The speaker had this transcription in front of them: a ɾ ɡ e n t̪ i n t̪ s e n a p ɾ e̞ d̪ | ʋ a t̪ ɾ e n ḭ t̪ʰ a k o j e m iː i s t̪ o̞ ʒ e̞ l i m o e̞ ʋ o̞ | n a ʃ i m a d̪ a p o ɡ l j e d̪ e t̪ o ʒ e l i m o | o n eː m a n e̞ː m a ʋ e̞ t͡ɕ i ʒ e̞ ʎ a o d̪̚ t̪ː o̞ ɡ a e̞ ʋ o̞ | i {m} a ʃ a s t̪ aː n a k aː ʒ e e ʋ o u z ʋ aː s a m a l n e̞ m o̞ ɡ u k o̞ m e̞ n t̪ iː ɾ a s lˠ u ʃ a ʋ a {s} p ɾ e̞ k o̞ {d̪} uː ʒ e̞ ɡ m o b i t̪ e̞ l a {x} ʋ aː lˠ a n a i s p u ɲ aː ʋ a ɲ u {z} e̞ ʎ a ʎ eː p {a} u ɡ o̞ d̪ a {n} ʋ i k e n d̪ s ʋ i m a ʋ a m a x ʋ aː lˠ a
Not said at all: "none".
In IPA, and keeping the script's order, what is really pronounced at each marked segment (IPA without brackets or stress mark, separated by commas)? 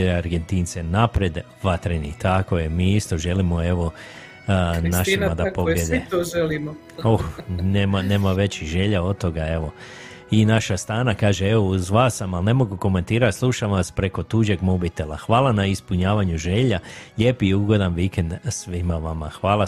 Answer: n, s, t̪, x, ʒ, i, n